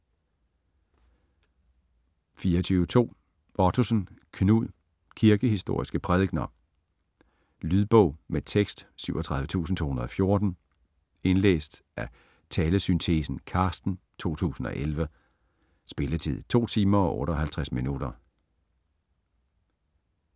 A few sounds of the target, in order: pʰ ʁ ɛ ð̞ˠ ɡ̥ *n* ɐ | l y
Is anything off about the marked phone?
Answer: no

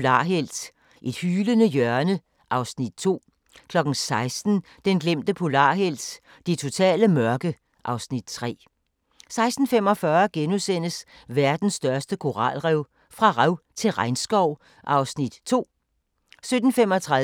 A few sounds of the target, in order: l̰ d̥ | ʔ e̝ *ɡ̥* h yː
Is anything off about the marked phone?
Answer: yes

